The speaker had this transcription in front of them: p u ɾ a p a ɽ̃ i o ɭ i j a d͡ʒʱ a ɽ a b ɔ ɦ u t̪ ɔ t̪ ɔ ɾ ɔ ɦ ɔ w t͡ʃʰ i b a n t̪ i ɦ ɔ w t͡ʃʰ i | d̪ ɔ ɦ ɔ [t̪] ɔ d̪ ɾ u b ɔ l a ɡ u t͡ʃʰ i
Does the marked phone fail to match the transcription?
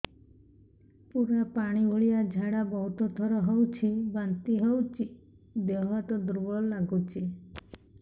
no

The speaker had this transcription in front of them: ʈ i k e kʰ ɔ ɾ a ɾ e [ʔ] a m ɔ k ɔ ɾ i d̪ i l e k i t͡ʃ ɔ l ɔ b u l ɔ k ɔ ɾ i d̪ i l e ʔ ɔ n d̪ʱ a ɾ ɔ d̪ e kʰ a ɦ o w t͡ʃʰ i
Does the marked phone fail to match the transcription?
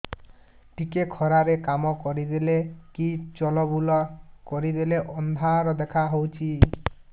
yes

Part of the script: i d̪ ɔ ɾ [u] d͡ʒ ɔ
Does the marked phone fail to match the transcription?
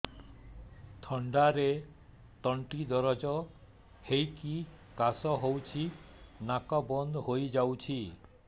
yes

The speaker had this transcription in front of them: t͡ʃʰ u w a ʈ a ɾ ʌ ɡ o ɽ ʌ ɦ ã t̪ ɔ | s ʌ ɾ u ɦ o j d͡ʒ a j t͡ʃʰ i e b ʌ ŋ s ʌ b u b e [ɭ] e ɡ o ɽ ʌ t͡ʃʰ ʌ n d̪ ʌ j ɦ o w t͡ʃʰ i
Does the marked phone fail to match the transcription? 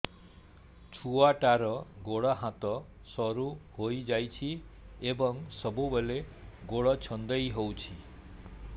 yes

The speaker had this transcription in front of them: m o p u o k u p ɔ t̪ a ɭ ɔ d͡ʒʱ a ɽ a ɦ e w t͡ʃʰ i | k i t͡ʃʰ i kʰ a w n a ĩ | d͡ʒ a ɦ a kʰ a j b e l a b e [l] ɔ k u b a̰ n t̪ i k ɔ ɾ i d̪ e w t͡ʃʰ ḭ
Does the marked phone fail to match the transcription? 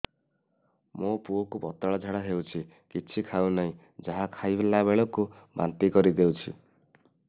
yes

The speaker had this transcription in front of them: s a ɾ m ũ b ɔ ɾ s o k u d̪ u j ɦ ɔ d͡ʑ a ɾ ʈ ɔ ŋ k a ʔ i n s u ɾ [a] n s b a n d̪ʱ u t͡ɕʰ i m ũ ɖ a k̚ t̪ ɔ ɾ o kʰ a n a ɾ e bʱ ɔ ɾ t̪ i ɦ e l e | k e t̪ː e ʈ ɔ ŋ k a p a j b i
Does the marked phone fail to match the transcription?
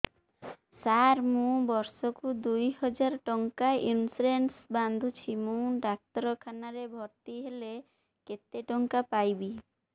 yes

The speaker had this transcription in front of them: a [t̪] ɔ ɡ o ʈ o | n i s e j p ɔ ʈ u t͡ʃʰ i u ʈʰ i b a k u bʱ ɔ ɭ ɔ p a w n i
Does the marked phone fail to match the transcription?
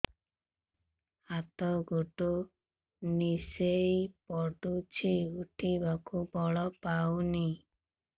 no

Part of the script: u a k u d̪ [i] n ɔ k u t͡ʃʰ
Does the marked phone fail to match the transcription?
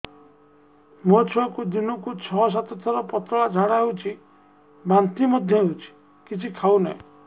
no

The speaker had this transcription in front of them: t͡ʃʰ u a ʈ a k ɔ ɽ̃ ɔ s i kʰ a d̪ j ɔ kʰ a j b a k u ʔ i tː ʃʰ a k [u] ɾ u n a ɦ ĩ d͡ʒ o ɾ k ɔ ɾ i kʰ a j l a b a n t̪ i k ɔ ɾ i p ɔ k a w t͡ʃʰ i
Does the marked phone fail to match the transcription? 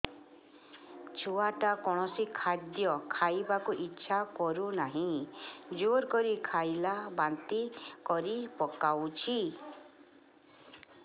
yes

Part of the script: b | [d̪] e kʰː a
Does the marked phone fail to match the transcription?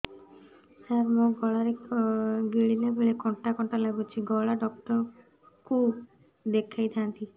no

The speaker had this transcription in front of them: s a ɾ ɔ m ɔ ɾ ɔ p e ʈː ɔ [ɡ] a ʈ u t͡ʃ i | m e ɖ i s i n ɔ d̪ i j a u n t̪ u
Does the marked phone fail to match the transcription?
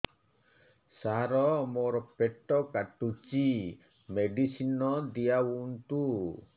yes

